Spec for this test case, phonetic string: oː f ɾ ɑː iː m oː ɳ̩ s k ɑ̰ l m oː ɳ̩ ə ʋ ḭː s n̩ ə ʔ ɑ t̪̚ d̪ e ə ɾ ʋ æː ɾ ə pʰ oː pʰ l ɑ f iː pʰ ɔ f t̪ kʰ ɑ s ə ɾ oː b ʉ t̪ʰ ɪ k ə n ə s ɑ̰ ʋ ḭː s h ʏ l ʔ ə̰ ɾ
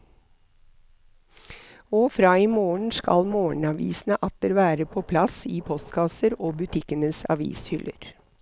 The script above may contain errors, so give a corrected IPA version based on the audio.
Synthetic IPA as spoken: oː f ɾ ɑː iː m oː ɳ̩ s k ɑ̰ l m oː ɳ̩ ɑ ʋ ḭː s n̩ ə ʔ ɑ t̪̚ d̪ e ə ɾ ʋ æː ɾ ə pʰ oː pʰ l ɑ s iː pʰ ɔ s t̪ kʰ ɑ s ə ɾ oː b ʉ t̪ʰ ɪ k ə n ə s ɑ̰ ʋ ḭː s h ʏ l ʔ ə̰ ɾ